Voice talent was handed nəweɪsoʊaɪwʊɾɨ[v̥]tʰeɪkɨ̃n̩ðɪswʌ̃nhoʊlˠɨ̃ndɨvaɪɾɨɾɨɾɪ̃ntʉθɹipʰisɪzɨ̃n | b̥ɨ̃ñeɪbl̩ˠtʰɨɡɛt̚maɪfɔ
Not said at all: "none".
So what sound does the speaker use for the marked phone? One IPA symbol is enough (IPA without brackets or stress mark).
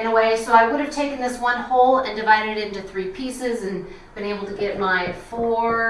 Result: v̥